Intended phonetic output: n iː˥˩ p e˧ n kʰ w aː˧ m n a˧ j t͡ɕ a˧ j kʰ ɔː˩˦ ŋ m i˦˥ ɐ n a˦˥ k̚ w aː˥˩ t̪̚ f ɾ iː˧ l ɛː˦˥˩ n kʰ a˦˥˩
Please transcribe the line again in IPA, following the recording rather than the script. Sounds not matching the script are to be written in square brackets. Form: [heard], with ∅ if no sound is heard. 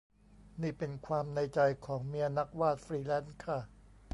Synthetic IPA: n iː˥˩ p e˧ n kʰ w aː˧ m n a˧ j t͡ɕ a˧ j kʰ ɔː˩˦ ŋ m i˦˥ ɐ n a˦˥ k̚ w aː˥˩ t̪̚ f ɾ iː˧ l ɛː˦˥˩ n kʰ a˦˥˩